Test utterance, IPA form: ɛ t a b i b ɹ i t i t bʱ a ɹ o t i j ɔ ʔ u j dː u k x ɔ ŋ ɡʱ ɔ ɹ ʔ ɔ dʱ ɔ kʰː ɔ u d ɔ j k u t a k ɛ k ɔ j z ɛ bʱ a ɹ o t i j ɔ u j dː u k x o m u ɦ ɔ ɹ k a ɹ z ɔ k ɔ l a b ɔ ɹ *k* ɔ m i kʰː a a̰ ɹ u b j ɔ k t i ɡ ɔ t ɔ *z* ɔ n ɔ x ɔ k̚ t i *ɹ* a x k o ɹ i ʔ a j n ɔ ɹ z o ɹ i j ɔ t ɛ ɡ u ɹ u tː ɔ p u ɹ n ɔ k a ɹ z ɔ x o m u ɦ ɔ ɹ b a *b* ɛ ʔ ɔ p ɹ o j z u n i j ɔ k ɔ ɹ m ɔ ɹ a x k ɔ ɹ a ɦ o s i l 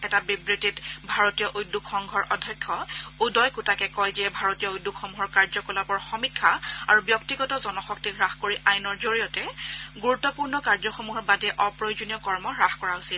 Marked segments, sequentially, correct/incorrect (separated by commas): incorrect, correct, correct, incorrect